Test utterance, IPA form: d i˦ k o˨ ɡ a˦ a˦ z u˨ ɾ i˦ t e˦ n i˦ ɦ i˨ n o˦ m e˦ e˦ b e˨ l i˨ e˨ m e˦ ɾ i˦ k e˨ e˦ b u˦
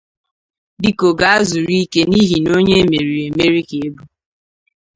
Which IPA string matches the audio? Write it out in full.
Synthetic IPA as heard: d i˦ k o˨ ɡ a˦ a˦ z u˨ ɾ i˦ k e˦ n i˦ ɦ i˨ n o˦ ɲ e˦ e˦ m e˨ ɾ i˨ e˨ m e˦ ɾ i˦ k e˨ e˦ b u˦

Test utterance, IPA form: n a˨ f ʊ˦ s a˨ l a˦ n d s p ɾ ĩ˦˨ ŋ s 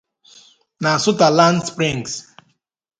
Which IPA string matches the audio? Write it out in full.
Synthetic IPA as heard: n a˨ s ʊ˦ t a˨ l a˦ n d s p ɾ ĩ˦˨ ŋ s

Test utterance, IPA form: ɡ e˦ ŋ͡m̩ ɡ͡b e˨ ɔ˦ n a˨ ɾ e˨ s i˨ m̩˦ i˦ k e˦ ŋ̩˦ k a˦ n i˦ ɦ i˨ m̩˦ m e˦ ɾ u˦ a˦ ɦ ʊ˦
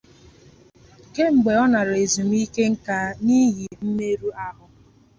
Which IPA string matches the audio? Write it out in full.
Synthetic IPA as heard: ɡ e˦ ŋ͡m̩ ɡ͡b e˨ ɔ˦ n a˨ ɾ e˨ z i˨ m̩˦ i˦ k e˦ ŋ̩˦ k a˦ n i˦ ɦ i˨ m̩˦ m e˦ ɾ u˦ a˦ ɦ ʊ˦

